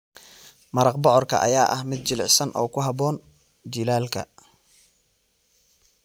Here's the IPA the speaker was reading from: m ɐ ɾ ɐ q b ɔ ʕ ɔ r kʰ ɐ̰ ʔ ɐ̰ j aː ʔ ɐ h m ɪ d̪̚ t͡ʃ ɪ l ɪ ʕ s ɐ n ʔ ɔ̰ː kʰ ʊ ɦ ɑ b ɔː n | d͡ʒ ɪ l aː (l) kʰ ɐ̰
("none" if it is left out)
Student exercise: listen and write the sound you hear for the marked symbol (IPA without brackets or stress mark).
l